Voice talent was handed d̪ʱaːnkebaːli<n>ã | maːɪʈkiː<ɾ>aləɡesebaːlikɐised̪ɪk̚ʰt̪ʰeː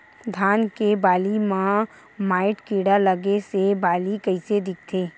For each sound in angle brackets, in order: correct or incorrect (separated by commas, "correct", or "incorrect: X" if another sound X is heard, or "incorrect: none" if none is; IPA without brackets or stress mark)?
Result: incorrect: m, incorrect: ɽ